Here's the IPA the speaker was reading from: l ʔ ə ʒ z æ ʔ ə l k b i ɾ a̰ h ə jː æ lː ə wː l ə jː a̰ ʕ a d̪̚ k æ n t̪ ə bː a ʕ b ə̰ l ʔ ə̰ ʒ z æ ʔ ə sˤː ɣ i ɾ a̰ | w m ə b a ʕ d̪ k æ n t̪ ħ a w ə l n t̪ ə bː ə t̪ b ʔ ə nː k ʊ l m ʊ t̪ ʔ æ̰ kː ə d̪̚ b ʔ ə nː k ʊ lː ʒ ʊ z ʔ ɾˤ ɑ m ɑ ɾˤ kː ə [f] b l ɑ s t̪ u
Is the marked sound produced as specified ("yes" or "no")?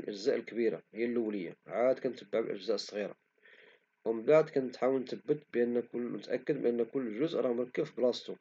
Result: yes